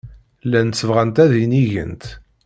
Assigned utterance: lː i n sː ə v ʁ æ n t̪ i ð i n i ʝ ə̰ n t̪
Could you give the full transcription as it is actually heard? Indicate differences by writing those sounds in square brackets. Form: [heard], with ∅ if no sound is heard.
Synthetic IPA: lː [æ] n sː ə v ʁ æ n t̪ [æ] ð i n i ʝ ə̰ n t̪